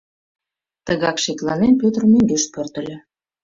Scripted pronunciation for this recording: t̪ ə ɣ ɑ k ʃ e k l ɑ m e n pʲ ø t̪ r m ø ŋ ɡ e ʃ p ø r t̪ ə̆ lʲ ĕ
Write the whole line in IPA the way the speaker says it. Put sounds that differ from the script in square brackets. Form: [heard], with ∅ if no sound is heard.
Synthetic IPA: t̪ ə ɣ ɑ k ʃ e k l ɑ [n] e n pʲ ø t̪ r m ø ŋ ɡ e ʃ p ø r t̪ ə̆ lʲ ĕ

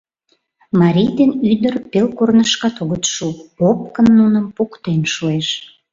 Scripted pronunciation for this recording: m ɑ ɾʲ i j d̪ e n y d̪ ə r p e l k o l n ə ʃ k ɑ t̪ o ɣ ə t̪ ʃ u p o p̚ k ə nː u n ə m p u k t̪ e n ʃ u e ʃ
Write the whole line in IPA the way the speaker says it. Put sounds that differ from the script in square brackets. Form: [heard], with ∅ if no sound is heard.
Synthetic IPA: m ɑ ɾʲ i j d̪ e n y d̪ ə r p e l k o [r] n ə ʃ k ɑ t̪ o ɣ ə t̪ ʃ u p o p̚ k ə nː u n ə m p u k t̪ e n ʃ u e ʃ

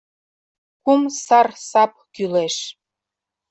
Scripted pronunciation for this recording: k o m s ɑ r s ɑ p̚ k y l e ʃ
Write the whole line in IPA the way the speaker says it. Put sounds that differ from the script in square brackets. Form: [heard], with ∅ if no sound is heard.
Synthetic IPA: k [u] m s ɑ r s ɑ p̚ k y l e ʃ

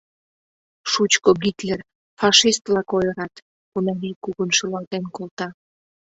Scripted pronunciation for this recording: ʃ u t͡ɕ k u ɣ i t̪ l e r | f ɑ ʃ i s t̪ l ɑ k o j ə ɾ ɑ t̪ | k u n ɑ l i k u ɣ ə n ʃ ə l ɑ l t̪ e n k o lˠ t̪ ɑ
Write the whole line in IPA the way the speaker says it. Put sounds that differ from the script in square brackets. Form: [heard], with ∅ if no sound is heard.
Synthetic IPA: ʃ u t͡ɕ k [o] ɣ i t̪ l e r | f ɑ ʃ i s t̪ l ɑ k o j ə ɾ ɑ t̪ | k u n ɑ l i k u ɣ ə n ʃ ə l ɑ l t̪ e n k o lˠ t̪ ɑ

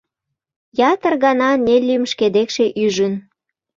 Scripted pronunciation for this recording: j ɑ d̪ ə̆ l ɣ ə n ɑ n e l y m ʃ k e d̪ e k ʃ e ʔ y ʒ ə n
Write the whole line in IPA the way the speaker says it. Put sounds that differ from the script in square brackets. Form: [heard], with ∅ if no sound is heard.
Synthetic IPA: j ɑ [t̪] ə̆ [r] ɣ [ɑ] n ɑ n e l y m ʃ k e d̪ e k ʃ e ʔ y ʒ ə n

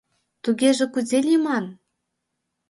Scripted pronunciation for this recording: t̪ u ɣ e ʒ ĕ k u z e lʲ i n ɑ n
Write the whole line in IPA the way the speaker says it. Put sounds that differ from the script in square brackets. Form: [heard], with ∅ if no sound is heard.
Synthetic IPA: t̪ u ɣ e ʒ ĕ k u z e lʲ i [m] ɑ n

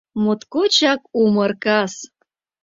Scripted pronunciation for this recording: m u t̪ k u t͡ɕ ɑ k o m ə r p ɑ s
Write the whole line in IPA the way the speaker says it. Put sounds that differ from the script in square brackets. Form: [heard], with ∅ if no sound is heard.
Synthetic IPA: m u t̪ k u t͡ɕ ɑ k [u] m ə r [k] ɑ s

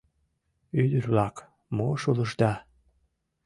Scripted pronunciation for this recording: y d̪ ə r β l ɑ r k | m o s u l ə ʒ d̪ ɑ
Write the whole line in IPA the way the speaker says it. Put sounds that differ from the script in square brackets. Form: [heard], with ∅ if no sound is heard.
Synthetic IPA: y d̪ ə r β l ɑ [∅] k | m o [ʃ] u l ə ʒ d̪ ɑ

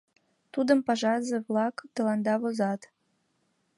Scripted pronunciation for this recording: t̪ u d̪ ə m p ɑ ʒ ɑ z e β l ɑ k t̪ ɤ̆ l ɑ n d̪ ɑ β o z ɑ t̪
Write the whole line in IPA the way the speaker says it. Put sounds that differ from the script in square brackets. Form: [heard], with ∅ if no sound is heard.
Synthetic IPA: t̪ u d̪ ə m p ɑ ʒ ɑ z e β l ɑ k t̪ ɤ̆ l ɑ n d̪ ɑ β o z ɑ t̪

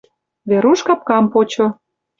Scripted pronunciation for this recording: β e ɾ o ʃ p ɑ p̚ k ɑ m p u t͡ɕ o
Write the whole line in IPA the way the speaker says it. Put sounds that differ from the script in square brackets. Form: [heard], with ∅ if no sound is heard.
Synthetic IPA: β e ɾ [u] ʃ [k] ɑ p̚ k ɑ m p [o] t͡ɕ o

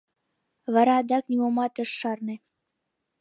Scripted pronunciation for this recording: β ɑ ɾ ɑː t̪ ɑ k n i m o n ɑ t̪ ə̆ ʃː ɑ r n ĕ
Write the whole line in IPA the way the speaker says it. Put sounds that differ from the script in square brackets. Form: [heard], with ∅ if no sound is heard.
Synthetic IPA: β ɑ ɾ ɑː [d̪] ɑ k n i m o [m] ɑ t̪ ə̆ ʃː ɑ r n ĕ

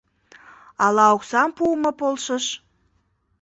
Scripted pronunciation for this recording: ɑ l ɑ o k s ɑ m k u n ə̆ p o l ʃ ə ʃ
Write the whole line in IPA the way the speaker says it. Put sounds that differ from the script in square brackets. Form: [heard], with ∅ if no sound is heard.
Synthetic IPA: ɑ l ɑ o k s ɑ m [p] u [m] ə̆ p o l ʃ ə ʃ

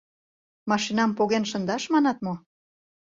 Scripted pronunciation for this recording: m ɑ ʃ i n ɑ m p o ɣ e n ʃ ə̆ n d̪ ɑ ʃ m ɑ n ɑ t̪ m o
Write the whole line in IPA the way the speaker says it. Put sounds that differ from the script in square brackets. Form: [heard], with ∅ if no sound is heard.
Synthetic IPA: m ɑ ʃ i n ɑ m p o ɣ e n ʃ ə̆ n d̪ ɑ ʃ m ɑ n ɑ t̪ m o

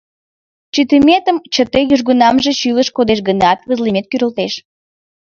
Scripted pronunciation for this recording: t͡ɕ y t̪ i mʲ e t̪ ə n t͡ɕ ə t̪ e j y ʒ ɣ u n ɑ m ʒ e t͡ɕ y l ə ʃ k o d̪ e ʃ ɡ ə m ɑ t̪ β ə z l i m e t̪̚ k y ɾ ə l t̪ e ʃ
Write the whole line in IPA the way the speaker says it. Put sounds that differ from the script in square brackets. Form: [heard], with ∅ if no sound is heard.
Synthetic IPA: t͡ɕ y t̪ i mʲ e t̪ ə [m] t͡ɕ ə t̪ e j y ʒ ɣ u n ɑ m ʒ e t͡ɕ y l ə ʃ k o d̪ e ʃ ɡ ə [n] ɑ t̪ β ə z l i m e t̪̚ k y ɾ ə l t̪ e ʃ

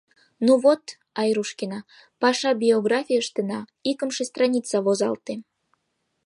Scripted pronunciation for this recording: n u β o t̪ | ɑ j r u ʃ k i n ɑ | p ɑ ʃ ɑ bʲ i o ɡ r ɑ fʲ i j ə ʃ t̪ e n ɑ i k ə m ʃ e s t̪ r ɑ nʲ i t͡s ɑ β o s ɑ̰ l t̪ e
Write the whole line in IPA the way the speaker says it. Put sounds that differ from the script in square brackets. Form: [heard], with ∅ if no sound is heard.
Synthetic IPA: n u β o t̪ | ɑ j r u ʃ k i n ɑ | p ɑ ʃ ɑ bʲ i o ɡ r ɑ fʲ i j ə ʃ t̪ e n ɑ i k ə m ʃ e s t̪ r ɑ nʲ i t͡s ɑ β o [z] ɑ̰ l t̪ e

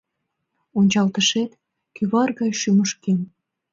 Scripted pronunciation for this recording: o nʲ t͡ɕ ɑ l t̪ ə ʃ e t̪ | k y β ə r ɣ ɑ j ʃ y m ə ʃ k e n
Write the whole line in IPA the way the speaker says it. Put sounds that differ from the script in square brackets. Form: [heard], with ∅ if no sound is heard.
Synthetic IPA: o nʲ t͡ɕ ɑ l t̪ ə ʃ e t̪ | k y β [ɑ] r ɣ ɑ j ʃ y m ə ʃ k e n

